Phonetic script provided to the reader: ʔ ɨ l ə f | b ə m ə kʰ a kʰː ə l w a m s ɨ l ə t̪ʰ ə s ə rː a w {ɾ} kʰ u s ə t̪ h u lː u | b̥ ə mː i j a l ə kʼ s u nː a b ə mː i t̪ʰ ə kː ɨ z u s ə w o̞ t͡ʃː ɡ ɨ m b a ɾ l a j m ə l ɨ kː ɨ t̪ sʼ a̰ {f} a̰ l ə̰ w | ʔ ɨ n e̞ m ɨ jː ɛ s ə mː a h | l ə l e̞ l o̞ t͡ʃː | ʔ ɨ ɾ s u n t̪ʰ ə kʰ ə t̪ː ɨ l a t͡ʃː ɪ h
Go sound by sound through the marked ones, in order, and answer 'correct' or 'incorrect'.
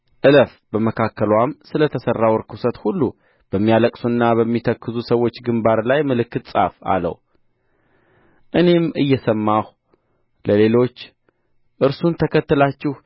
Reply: correct, correct

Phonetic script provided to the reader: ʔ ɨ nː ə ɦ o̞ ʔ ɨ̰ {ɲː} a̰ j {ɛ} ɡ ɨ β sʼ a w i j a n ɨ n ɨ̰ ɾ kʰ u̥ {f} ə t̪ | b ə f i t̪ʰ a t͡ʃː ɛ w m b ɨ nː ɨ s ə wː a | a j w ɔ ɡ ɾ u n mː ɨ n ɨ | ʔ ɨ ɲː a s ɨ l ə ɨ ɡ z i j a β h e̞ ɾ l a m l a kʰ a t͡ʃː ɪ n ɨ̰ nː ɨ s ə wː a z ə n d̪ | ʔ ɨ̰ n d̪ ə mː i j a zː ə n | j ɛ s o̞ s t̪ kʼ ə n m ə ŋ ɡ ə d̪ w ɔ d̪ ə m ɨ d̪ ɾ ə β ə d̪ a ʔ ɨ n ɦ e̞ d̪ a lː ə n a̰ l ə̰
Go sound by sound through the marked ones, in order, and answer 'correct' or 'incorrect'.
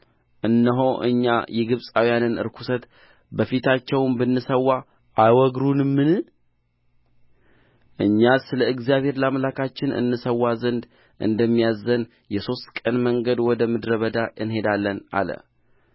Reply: correct, correct, incorrect: s

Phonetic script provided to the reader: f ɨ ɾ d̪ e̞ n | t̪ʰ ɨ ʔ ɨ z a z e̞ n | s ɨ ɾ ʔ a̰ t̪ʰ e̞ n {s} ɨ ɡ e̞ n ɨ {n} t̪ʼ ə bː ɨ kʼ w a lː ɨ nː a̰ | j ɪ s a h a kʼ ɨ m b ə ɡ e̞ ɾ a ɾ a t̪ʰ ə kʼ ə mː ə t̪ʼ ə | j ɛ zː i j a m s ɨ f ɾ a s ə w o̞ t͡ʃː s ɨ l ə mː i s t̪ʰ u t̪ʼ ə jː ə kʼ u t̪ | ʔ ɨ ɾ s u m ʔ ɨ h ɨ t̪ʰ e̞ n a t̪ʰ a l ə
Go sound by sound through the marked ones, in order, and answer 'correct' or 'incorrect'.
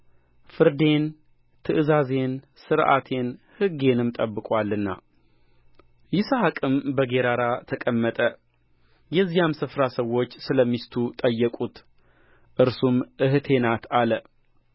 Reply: incorrect: h, incorrect: m

